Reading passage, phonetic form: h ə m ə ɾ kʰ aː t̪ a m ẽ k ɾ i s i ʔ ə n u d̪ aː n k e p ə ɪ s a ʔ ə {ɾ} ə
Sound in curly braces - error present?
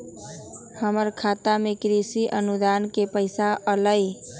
yes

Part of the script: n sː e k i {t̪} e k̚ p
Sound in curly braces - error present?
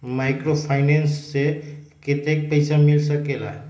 no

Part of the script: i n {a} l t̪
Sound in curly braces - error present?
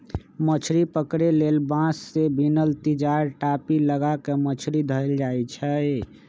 yes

